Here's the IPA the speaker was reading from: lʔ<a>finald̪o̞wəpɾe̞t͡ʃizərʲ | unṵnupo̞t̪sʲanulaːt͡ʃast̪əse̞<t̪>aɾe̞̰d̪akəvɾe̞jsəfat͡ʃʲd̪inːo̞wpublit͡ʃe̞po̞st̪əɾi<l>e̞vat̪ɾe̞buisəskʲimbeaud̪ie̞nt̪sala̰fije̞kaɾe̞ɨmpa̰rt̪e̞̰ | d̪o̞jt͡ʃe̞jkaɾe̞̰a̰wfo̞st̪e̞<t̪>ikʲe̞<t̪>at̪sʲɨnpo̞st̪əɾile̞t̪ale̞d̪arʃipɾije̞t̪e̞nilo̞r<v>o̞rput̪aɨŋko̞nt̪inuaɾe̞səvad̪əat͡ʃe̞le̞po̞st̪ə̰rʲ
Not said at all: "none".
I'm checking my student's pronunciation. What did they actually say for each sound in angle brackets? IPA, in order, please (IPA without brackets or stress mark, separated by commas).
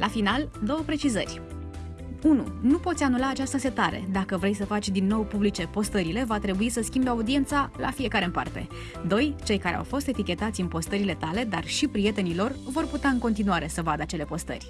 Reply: a, t̪, l, t̪, t̪, v